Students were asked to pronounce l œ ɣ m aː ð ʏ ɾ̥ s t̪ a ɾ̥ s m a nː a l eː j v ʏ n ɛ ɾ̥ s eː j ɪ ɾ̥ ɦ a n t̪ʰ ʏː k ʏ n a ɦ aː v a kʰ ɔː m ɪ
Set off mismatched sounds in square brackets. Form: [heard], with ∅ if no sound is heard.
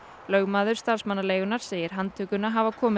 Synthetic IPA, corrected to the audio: l œ ɣ m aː ð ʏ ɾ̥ s t̪ a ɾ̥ s m a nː a l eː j [ɣ] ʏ n [a] ɾ̥ s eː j ɪ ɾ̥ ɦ a n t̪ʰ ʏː k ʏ n a ɦ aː v a kʰ ɔː m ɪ